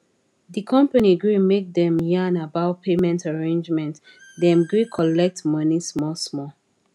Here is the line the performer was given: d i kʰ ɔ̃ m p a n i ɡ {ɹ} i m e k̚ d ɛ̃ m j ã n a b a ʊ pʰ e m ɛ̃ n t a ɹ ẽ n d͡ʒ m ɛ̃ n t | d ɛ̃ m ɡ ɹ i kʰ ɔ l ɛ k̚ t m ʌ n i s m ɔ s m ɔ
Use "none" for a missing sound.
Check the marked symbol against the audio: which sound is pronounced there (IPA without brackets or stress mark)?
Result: ɹ